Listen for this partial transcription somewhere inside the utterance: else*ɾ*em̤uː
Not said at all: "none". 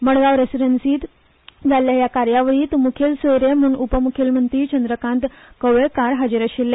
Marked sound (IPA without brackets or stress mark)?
ɾ